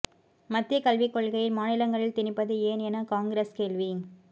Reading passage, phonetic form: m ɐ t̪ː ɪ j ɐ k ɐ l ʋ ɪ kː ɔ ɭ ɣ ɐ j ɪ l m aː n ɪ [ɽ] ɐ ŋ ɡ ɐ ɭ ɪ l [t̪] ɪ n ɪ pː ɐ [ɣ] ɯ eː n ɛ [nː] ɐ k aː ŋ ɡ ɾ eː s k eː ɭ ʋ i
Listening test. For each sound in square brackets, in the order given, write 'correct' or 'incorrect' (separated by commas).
incorrect, correct, incorrect, incorrect